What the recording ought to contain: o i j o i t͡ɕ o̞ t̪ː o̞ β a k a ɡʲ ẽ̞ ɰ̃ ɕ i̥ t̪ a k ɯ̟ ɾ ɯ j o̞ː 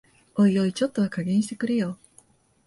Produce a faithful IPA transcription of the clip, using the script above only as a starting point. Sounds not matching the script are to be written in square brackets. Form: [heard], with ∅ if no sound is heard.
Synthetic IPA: o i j o i t͡ɕ o̞ t̪ː o̞ β a k a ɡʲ ẽ̞ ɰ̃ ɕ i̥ t̪ [e] k ɯ̟ ɾ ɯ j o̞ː